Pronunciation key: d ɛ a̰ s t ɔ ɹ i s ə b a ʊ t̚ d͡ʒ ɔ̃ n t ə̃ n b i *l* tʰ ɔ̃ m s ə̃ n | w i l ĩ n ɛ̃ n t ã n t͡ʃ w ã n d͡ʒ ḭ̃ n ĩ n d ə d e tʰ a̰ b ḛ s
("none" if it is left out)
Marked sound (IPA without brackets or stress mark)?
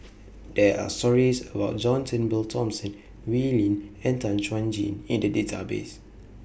l